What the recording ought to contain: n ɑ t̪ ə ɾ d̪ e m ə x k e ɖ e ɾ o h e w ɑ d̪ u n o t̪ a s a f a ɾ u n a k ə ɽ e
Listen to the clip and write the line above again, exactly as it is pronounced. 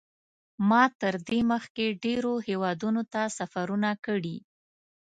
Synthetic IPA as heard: m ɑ t̪ ə ɾ d̪ e m ə x k e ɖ e ɾ o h e w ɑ d̪ u n o t̪ a s a f a ɾ u n a k ə ɽ i